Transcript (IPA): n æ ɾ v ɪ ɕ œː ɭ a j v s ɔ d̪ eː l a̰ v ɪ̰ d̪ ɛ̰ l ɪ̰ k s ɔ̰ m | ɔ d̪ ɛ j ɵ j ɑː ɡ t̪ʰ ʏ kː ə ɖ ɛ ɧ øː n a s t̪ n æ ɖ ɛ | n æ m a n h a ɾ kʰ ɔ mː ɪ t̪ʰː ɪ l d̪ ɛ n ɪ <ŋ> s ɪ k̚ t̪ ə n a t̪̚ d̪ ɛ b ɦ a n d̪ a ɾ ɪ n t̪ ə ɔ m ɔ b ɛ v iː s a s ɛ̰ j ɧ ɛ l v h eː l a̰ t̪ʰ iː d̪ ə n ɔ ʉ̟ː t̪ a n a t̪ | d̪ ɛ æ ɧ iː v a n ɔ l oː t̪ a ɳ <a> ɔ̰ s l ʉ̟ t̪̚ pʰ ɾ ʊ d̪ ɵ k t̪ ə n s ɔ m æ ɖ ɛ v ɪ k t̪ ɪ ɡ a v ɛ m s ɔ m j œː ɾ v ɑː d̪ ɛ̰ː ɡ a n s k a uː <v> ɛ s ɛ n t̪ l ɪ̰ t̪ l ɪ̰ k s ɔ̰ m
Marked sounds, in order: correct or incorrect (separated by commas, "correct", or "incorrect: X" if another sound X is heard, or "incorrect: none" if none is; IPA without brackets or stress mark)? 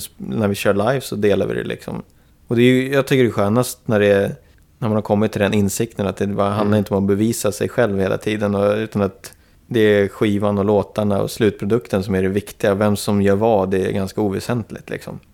incorrect: n, correct, correct